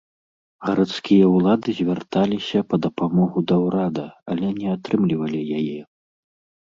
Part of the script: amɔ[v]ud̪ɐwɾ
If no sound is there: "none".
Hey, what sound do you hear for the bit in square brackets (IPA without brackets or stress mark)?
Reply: ɣ